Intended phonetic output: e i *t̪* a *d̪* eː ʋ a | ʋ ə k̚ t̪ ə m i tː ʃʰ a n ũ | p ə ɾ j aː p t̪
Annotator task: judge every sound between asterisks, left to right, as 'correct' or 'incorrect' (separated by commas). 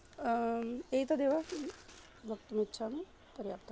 correct, correct